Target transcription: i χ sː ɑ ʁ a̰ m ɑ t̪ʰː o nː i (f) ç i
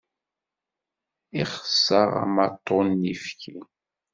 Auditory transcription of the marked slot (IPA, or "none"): f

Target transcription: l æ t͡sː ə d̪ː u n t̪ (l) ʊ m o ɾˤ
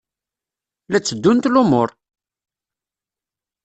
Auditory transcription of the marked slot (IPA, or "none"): l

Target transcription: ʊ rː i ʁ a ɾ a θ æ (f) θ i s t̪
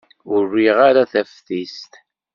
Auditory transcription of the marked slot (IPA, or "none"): f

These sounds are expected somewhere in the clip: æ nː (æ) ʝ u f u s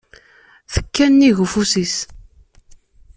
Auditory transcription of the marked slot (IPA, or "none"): i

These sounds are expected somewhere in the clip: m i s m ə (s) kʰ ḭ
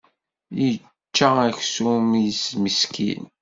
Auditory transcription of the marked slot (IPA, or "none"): s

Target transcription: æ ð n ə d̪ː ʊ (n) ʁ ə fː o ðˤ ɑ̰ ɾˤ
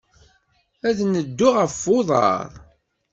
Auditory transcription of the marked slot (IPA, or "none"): none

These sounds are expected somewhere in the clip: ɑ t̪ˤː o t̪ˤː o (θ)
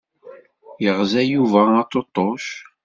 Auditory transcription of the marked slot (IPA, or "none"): ʃ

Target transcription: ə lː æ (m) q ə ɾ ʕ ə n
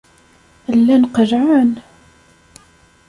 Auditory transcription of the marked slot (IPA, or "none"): n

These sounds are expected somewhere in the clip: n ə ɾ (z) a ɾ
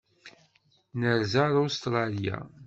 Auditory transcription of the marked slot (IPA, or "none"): z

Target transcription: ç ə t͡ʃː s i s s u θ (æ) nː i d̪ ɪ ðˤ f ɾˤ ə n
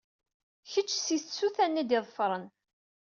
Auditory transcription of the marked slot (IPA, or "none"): æ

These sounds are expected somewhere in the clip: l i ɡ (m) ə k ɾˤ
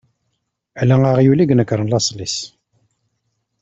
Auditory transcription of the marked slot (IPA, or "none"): n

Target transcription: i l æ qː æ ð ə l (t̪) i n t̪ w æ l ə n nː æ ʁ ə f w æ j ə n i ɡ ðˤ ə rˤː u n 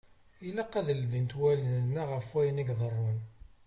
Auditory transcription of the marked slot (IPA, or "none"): d̪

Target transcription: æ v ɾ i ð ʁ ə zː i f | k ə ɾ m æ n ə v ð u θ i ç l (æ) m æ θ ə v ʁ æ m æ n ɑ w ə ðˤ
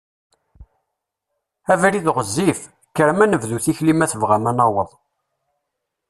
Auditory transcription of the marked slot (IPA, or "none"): i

